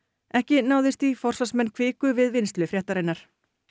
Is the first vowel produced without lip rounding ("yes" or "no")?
yes